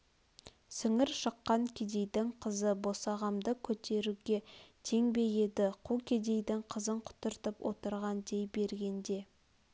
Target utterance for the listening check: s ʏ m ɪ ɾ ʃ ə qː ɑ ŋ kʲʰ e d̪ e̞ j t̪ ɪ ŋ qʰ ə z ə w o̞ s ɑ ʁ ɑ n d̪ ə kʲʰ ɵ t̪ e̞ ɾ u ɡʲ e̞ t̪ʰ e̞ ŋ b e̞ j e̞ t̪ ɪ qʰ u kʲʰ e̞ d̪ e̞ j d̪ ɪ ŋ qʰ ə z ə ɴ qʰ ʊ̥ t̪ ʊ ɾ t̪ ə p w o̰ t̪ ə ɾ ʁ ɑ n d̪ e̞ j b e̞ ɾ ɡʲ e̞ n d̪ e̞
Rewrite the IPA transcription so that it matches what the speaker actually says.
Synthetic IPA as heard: s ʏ ŋ ɪ ɾ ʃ ə qː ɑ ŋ kʲʰ e d̪ e̞ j d̪ ɪ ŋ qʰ ə z ə b o̞ s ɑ ʁ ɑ m d̪ ə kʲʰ ɵ t̪ e̞ ɾ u ɡʲ e̞ t̪ʰ e̞ ŋ b e̞ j e̞ d̪ ɪ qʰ u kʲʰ e̞ d̪ e̞ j d̪ ɪ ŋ qʰ ə z ə ɴ qʰ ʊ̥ t̪ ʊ ɾ t̪ ə p w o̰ t̪ ə ɾ ʁ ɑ n d̪ e̞ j b e̞ ɾ ɡʲ e̞ n d̪ e̞